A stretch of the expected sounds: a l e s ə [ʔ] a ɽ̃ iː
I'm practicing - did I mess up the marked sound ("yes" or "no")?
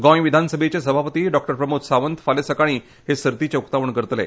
yes